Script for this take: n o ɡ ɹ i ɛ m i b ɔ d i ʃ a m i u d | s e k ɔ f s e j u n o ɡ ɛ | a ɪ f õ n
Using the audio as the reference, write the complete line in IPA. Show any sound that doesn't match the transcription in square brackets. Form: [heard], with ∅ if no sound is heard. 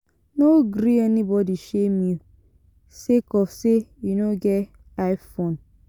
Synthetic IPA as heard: n o ɡ [ɾ] i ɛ [n] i b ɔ d i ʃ [e] m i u [∅] | s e k ɔ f s e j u n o ɡ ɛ | a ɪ f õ n

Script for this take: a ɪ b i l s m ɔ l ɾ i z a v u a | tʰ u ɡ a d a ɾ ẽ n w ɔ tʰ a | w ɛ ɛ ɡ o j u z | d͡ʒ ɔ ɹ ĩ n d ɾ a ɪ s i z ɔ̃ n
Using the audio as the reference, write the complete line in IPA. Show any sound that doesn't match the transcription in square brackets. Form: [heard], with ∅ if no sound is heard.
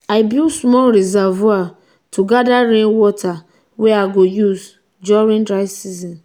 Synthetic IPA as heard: a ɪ b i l s m ɔ l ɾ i z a v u a | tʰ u ɡ a d a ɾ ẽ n w ɔ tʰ a | w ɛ [a] ɡ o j u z | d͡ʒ ɔ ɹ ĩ n d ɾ a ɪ s i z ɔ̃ n

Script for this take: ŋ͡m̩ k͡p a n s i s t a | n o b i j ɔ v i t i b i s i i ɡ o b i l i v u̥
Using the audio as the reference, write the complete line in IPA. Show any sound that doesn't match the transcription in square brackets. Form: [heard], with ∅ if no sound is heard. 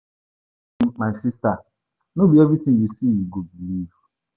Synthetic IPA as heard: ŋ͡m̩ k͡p a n s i s t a | n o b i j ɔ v i t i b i s i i ɡ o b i l i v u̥

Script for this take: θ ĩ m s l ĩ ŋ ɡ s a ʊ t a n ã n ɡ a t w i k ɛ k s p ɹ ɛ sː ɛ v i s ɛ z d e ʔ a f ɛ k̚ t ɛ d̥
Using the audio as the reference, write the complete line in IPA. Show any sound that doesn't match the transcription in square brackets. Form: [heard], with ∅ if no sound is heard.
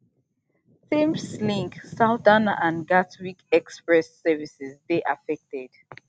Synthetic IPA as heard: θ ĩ m s l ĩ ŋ [k] s a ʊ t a n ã n ɡ a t w i k ɛ k s p ɹ ɛ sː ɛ v i s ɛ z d e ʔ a f ɛ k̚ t ɛ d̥

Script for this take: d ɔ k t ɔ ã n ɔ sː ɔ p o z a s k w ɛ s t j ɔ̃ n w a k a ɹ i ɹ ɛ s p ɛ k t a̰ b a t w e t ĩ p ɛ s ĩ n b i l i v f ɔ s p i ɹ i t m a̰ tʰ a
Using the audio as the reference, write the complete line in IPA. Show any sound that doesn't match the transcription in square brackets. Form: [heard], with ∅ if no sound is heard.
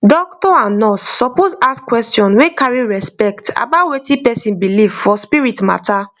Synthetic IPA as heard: d ɔ k t ɔ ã n ɔ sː ɔ p o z a s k w ɛ s t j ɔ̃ n w [e] k a ɹ i ɹ ɛ s p ɛ k t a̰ b a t w e t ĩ p ɛ s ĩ n b i l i v f ɔ s p i ɹ i t m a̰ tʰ a

